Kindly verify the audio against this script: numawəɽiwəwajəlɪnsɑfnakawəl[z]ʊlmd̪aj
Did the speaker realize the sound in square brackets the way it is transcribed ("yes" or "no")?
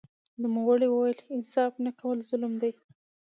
yes